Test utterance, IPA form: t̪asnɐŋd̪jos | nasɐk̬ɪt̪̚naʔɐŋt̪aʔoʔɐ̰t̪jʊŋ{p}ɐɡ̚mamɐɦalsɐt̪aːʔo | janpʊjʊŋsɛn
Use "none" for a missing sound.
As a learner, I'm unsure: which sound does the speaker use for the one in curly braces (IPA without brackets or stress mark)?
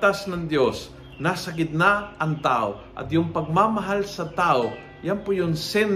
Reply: p